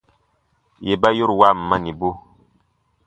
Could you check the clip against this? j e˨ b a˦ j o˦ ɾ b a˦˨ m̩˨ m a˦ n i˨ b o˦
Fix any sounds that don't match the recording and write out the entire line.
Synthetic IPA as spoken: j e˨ b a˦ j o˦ ɾ w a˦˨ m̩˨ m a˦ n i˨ b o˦